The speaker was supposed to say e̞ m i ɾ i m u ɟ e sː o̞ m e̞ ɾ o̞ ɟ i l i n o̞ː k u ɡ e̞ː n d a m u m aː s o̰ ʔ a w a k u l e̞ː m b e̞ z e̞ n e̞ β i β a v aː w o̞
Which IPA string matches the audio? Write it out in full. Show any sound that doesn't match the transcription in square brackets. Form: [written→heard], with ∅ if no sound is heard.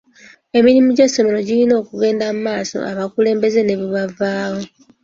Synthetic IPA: e̞ m i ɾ i m u ɟ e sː o̞ m e̞ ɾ o̞ ɟ i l i n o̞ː k u ɡ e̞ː n d a m u m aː s o̰ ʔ a [w→β] a k u l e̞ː m b e̞ z e̞ n e̞ β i β a v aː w o̞